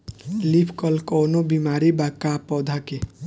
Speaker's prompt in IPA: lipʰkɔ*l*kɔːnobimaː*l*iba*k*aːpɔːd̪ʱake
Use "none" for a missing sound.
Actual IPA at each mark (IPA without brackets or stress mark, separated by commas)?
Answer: l, ɾ, k